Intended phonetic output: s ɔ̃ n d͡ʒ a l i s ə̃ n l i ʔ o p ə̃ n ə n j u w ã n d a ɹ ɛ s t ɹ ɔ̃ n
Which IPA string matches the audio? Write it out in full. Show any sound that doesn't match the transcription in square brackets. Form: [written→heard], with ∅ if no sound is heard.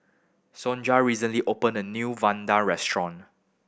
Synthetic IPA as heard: s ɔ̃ n d͡ʒ a [l→ɹ] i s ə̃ n l i ʔ o p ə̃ n ə n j u [w→v] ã n d a ɹ ɛ s t ɹ ɔ̃ n